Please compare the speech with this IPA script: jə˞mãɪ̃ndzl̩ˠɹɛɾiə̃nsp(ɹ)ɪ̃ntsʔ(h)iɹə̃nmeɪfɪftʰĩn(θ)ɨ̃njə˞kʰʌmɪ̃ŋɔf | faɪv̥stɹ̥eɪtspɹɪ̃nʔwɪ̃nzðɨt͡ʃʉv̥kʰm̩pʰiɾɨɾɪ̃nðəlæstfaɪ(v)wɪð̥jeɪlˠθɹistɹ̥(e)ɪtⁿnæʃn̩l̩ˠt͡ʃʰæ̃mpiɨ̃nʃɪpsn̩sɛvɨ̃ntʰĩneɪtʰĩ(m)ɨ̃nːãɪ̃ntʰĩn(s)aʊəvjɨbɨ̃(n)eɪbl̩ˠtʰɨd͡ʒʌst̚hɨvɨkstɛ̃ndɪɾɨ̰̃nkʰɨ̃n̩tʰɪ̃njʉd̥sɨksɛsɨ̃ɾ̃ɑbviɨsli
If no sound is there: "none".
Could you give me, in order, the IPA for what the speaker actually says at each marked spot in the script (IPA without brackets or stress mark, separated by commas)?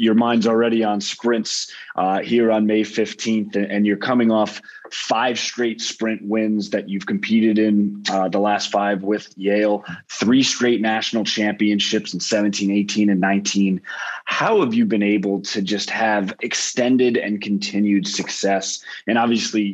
ɹ, h, θ, v, e, n, h, n